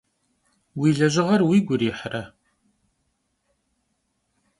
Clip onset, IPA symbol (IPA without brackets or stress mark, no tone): w